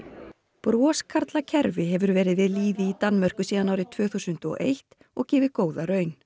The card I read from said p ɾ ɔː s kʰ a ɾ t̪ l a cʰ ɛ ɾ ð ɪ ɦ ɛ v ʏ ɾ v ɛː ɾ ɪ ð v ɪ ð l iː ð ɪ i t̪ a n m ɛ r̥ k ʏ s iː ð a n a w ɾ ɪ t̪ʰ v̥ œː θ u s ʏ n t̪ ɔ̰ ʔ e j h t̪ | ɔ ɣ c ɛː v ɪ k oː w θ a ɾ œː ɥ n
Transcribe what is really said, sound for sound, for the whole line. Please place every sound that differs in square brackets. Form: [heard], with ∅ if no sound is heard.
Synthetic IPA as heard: p ɾ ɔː s kʰ a ɾ t̪ l a cʰ ɛ ɾ [v] ɪ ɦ ɛ v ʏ ɾ v ɛː ɾ ɪ ð v ɪ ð l iː ð ɪ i t̪ a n m [œ] r̥ k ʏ s iː ð a n a w ɾ ɪ t̪ʰ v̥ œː θ u s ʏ n t̪ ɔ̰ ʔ e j h t̪ | ɔ ɣ c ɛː v ɪ k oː w [ð] a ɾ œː ɥ n